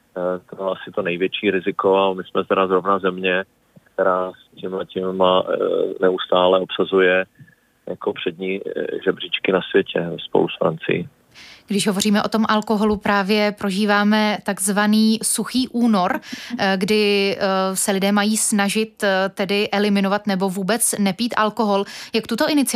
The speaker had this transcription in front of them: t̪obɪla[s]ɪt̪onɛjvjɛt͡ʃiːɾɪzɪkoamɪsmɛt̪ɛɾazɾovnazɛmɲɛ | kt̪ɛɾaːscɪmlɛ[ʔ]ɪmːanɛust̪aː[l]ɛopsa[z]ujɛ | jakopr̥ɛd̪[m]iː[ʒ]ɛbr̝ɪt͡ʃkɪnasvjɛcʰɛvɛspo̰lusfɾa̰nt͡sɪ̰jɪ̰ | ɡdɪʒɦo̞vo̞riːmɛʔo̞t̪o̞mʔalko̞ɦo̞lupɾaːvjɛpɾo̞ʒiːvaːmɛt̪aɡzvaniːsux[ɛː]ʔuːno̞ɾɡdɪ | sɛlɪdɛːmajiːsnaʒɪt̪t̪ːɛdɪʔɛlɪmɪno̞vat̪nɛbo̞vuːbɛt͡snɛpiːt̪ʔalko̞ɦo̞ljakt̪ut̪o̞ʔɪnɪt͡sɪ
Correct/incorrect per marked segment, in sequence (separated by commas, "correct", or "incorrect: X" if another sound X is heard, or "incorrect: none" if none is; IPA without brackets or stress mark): correct, incorrect: c, correct, correct, incorrect: ɲ, correct, incorrect: iː